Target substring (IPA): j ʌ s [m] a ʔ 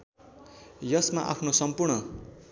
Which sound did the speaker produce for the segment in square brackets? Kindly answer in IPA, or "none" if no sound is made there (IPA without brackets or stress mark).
m